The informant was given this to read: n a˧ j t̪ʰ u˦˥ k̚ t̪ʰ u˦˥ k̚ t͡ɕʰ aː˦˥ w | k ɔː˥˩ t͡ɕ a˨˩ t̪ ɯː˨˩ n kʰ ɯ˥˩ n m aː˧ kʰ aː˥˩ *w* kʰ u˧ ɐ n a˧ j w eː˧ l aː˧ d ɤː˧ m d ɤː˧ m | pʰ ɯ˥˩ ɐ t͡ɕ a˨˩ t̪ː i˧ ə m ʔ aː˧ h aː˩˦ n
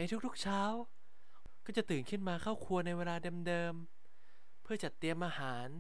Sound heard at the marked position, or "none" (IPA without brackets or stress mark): w